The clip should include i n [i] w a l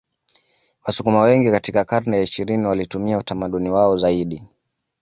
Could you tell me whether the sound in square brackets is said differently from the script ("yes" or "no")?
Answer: no